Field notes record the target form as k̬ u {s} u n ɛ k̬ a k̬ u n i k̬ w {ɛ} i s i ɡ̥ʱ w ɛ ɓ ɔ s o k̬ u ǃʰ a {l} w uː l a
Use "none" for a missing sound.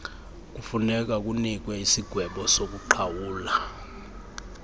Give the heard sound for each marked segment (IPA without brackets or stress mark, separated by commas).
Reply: f, ɛ, none